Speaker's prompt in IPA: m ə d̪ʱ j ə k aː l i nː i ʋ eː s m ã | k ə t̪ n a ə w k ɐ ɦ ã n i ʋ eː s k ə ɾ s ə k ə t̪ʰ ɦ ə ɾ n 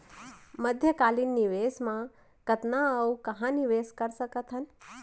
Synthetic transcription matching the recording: m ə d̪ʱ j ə k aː l i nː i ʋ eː s m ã | k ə t̪ n a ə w k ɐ ɦ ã n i ʋ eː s k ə ɾ s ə k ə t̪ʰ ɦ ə n